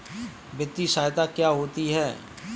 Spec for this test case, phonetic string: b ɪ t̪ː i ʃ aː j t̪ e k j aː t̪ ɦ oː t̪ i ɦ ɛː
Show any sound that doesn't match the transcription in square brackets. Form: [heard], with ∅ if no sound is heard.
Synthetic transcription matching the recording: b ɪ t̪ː i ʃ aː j t̪ [a] k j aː [∅] ɦ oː t̪ i ɦ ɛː